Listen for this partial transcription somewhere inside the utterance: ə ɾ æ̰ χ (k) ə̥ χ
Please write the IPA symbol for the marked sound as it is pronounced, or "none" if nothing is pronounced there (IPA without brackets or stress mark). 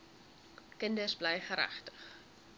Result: t